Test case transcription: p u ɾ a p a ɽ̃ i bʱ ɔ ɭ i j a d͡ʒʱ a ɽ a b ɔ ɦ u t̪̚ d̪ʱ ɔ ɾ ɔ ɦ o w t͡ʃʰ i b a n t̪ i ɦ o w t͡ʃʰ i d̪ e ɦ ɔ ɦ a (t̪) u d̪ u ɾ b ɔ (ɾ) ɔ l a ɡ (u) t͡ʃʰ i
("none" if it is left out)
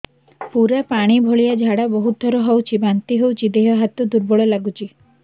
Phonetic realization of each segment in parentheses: t̪, ɭ, u

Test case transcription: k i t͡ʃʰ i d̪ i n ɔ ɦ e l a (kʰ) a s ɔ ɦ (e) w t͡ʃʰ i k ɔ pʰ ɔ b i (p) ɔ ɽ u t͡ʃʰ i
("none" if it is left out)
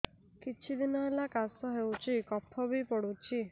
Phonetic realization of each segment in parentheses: k, e, p

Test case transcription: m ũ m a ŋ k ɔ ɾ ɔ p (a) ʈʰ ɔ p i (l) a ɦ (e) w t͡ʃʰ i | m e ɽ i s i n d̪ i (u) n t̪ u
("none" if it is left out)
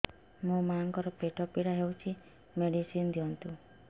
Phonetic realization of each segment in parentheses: e, ɽ, e, ɔ

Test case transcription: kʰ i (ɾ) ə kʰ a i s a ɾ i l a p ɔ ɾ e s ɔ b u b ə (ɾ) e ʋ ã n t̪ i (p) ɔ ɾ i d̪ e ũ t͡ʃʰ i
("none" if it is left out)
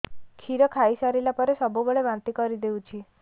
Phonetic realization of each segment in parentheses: ɾ, ɭ, k

